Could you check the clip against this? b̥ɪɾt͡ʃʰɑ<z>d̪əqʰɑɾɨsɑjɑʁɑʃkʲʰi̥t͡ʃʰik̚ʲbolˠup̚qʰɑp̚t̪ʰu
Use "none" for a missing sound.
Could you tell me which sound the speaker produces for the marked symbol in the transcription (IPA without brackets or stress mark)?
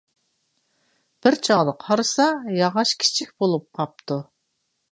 ʁ